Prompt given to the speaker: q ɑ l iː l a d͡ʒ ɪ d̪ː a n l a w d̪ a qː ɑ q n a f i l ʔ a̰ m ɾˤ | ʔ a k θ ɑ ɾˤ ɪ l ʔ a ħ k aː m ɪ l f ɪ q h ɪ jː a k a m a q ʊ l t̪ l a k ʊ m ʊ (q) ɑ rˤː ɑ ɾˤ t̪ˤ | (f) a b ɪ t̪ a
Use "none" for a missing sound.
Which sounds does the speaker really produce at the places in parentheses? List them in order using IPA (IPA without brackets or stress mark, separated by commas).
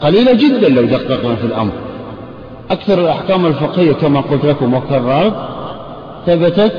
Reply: k, θ